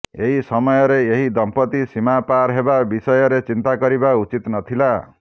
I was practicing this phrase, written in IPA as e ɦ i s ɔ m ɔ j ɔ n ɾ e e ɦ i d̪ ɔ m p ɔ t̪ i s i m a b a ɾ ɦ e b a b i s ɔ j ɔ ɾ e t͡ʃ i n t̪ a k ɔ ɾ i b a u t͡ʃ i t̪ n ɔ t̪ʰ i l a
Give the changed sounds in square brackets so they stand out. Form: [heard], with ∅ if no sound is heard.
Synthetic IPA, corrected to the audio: e ɦ i s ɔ m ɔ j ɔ [∅] ɾ e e ɦ i d̪ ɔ m p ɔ t̪ i s i m a [p] a ɾ ɦ e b a b i s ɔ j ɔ ɾ e t͡ʃ i n t̪ a k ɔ ɾ i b a u t͡ʃ i t̪ n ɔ t̪ʰ i l a